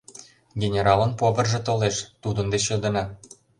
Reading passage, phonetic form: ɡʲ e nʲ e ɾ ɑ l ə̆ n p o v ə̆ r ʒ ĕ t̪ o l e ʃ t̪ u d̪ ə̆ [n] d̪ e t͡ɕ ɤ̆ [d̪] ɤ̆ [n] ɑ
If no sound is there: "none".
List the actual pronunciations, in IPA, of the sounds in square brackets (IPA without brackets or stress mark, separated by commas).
n, d̪, n